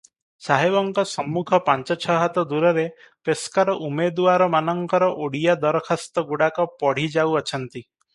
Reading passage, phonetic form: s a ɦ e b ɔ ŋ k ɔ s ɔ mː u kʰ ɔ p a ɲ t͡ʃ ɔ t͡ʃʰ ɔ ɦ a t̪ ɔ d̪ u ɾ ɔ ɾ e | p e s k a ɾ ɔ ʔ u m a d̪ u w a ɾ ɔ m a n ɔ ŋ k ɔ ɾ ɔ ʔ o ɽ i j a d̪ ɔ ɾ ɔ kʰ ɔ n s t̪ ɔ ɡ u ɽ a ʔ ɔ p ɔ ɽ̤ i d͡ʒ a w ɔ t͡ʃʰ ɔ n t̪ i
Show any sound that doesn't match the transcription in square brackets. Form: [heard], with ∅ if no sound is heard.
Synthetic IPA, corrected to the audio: s a ɦ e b ɔ ŋ k ɔ s ɔ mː u kʰ ɔ p a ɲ t͡ʃ ɔ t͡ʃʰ ɔ ɦ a t̪ ɔ d̪ u ɾ ɔ ɾ e | p e s k a ɾ ɔ ʔ u m [e] d̪ u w a ɾ ɔ m a n ɔ ŋ k ɔ ɾ ɔ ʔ o ɽ i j a d̪ ɔ ɾ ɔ kʰ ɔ [∅] s t̪ ɔ ɡ u ɽ a [k] ɔ p ɔ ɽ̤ i d͡ʒ a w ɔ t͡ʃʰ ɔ n t̪ i